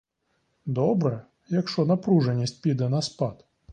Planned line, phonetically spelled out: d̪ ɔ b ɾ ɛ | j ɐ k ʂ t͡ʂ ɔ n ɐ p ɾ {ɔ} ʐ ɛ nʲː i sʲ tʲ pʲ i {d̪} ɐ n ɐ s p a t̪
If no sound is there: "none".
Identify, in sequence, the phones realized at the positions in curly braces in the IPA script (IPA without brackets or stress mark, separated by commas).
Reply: u, d̪